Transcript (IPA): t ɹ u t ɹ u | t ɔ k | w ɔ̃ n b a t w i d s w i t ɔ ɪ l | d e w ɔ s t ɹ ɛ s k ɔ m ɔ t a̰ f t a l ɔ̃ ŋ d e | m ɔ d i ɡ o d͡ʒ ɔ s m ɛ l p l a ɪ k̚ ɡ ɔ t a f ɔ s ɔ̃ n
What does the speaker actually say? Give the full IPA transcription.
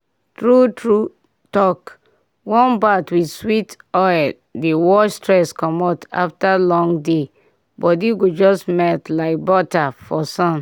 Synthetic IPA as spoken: t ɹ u t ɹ u | t ɔ k | w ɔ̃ n b a t w i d s w i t ɔ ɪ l | d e w ɔ s t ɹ ɛ s k ɔ m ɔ t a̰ f t a l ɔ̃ ŋ d e | b ɔ d i ɡ o d͡ʒ ɔ s m ɛ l t l a ɪ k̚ b ɔ t a f ɔ s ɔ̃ n